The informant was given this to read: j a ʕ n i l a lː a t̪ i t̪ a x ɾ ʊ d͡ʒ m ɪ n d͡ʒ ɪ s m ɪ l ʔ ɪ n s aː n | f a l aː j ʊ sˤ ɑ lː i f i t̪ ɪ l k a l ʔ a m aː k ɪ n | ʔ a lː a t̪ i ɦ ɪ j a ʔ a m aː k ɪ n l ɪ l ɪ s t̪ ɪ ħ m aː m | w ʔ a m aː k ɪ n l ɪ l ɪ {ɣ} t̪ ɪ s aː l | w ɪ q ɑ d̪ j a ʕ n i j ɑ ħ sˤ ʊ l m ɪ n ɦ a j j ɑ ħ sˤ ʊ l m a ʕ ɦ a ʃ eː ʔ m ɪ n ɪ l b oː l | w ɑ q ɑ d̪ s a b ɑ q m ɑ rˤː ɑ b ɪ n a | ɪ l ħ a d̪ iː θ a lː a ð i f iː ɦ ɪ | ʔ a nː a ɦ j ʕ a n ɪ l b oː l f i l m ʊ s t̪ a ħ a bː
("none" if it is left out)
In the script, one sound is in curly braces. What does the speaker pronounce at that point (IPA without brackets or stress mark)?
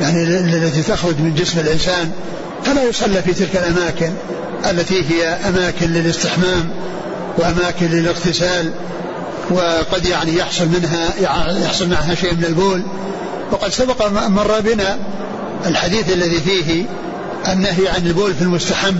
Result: ɣ